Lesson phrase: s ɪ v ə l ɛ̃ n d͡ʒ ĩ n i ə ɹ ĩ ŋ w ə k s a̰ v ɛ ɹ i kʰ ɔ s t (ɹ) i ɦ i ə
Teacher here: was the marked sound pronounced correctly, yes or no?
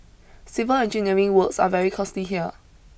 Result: no